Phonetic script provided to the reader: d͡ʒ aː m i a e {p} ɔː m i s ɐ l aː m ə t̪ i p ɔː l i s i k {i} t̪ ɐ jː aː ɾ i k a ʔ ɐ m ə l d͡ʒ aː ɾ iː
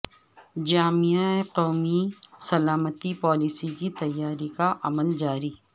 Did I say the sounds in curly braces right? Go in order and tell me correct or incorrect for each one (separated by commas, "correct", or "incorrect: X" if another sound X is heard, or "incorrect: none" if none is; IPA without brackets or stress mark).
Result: incorrect: q, correct